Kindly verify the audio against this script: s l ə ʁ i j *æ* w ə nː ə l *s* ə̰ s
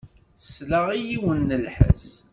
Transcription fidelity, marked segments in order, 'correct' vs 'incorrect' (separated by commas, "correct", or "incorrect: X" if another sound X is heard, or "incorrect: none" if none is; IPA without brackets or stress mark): incorrect: i, incorrect: ħ